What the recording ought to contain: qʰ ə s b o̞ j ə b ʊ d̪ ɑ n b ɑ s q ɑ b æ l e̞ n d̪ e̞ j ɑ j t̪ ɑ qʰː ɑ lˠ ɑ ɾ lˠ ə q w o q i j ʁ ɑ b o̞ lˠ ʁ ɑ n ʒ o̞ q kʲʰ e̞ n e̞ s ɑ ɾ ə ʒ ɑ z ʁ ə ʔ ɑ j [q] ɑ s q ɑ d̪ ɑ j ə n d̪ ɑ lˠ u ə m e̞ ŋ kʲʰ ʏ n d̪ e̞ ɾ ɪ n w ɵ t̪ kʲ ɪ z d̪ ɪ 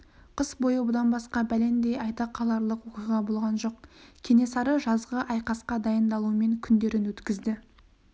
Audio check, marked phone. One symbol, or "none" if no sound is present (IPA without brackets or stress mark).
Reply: q